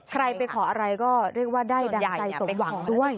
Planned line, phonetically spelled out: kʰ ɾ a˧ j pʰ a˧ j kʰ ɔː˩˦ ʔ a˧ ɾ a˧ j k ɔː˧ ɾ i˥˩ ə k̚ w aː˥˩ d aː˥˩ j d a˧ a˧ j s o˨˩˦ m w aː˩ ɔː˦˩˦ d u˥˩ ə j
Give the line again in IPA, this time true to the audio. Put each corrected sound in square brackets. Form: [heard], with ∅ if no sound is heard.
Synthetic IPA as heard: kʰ ɾ a˧ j [p] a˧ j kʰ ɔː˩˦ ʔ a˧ ɾ a˧ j k [ɔː˥˩] ɾ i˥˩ ə k̚ w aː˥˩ d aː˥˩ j d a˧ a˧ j s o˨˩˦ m w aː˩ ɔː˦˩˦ d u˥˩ ə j